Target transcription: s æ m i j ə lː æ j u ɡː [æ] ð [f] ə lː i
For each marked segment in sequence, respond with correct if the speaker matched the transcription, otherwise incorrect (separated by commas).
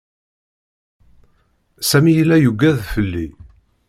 correct, correct